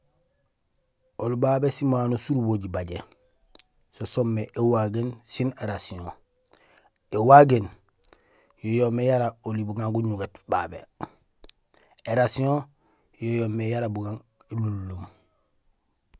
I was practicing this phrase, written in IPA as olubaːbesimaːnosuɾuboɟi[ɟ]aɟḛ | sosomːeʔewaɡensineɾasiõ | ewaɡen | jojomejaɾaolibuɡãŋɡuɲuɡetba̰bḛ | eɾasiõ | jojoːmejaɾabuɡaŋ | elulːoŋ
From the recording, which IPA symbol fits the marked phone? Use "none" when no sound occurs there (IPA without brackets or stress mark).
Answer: b